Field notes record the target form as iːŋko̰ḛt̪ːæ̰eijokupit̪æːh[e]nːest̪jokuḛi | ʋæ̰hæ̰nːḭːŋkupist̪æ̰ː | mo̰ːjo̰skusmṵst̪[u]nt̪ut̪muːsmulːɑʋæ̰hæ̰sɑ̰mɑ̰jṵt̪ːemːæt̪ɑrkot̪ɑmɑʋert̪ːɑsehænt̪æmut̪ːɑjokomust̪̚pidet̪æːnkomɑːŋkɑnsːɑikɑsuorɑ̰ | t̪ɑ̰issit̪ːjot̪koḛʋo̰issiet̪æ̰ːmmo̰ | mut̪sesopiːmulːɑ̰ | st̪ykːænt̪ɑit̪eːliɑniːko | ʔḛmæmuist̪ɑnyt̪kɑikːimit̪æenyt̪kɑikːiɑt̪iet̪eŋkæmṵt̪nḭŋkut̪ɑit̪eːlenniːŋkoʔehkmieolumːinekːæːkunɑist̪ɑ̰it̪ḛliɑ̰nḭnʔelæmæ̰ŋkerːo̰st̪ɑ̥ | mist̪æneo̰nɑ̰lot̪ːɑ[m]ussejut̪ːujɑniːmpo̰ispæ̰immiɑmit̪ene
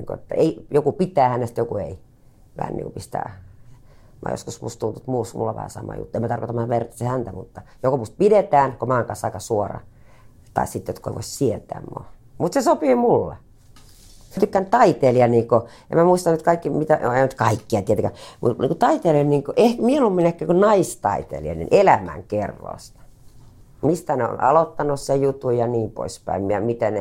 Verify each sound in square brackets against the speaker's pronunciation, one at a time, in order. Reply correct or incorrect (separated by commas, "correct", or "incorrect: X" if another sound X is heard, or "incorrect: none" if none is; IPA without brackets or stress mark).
incorrect: æ, correct, incorrect: n